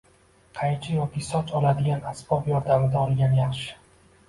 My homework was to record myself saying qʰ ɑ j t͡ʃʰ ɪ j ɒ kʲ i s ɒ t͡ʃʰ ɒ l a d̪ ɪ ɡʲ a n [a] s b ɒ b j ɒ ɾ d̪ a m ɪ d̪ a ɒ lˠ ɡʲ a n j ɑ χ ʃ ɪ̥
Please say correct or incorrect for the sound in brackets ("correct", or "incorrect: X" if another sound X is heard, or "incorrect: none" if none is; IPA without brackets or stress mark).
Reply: correct